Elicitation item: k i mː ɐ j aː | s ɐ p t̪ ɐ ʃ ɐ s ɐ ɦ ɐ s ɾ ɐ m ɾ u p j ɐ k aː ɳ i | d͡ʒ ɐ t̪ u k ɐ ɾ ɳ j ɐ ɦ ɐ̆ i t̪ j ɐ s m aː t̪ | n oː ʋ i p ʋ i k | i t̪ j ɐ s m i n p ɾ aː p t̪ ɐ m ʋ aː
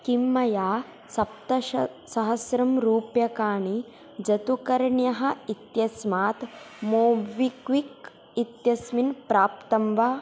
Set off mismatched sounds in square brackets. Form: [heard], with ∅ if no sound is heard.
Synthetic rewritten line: k i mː ɐ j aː | s ɐ p t̪ ɐ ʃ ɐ s ɐ ɦ ɐ s ɾ ɐ m ɾ [uː] p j ɐ k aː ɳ i | d͡ʒ ɐ t̪ u k ɐ ɾ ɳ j ɐ ɦ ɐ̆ i t̪ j ɐ s m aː t̪ | [m] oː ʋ i [k] ʋ i k | i t̪ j ɐ s m i n p ɾ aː p t̪ ɐ m ʋ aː